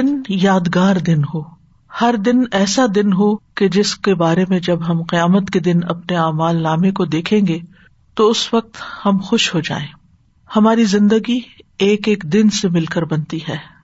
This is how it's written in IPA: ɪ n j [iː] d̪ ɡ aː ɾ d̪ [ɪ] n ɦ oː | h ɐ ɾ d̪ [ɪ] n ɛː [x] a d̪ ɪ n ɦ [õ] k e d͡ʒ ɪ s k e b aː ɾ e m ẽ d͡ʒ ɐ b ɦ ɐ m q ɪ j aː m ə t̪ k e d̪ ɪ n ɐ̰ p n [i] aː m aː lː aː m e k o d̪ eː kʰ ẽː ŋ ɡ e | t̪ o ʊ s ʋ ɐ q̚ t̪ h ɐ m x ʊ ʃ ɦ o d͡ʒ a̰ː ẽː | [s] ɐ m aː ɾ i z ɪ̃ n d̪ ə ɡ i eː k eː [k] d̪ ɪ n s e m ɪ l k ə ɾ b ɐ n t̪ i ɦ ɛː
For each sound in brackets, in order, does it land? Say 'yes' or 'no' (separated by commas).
no, yes, yes, no, no, no, no, yes